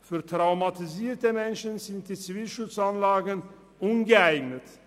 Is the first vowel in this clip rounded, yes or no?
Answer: yes